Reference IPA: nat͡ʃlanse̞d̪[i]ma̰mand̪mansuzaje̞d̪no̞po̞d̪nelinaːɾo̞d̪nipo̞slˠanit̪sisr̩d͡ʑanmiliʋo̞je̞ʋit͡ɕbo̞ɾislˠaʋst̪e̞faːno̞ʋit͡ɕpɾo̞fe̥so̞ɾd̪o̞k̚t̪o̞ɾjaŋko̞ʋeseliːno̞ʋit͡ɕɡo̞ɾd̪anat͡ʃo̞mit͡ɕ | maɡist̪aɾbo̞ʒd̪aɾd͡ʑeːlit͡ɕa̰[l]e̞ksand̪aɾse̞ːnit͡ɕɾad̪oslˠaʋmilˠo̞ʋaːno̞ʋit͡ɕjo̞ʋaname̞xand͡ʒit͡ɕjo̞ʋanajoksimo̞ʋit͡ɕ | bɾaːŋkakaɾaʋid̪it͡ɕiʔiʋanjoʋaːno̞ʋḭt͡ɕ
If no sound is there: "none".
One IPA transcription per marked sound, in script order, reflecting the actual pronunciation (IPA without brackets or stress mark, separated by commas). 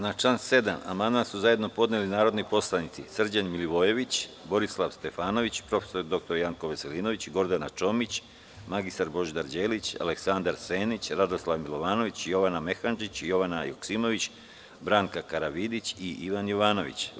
a, l